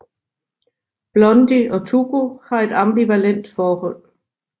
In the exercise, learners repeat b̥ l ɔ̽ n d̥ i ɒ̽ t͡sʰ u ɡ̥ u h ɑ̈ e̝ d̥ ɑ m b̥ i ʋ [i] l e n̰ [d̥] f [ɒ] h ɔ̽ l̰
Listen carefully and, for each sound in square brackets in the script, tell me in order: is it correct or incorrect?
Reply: incorrect, correct, incorrect

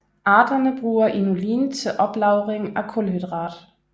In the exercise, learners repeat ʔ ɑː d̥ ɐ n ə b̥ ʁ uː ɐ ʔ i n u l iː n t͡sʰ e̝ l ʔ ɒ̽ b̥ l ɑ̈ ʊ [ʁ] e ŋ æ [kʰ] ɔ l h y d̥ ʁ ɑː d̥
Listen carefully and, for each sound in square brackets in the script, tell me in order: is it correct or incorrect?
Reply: correct, correct

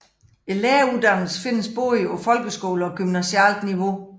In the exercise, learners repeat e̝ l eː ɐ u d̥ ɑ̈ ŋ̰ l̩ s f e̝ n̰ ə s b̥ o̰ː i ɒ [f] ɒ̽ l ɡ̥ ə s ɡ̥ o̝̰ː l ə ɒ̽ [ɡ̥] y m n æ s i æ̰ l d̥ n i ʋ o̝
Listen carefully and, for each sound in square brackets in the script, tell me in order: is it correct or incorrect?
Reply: correct, correct

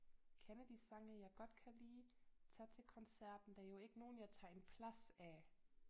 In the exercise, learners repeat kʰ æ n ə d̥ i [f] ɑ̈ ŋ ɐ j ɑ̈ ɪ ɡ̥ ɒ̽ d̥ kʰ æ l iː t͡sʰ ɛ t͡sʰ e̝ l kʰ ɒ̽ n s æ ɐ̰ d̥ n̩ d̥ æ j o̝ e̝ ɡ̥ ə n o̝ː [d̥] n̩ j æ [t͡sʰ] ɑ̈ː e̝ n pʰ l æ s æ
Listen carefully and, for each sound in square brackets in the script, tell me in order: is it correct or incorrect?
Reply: incorrect, incorrect, correct

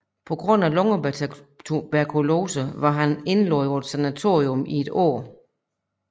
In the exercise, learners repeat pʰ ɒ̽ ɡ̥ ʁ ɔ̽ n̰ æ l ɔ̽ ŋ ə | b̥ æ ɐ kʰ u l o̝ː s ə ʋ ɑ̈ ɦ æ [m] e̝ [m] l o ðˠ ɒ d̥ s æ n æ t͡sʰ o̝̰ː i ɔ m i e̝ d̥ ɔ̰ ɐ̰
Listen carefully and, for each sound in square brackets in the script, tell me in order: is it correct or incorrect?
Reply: incorrect, incorrect

